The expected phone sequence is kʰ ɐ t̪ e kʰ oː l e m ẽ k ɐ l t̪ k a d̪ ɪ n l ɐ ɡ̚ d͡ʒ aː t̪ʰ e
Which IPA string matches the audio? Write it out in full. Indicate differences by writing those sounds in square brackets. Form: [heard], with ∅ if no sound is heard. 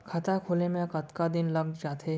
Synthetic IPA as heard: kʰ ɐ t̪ [a] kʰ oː l e m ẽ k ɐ [∅] t̪ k a d̪ ɪ n l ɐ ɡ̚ d͡ʒ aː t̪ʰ e